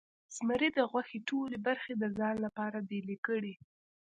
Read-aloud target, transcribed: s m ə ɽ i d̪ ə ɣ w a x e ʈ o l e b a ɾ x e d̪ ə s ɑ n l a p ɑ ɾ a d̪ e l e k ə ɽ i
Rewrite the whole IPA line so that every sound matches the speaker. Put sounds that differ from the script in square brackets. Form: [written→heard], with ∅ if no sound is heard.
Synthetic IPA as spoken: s m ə [ɽ→ɾ] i d̪ ə ɣ w a x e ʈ o l e b a ɾ x e d̪ ə [s→z] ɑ n l a p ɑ ɾ a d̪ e l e k ə ɽ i